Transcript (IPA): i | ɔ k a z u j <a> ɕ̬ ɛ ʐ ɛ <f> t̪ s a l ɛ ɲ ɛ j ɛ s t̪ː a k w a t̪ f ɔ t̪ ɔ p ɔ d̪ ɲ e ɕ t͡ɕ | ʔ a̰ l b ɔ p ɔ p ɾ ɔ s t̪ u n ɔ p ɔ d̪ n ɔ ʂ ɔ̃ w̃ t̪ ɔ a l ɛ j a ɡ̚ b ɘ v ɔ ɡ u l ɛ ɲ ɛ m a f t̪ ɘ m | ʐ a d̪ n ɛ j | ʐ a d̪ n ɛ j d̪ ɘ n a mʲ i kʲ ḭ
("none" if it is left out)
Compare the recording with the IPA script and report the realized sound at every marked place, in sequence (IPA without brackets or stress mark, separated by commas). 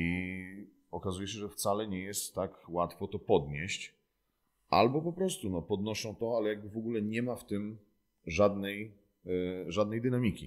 ɛ, f